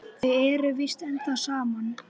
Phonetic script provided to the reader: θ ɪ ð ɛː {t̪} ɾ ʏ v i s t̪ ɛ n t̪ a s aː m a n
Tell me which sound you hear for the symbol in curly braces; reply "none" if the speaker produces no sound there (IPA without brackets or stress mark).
none